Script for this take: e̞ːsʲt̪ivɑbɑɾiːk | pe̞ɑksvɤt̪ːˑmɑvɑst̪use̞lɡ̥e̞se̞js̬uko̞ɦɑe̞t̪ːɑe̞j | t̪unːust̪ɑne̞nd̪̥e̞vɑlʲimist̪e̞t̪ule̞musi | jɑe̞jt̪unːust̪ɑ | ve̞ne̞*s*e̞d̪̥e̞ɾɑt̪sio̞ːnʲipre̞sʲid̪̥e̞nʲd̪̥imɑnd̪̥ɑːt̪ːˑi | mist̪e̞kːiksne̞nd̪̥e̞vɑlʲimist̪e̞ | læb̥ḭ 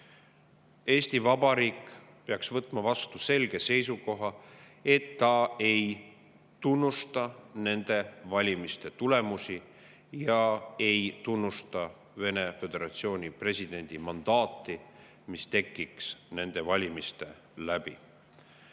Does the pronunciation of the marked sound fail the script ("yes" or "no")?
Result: yes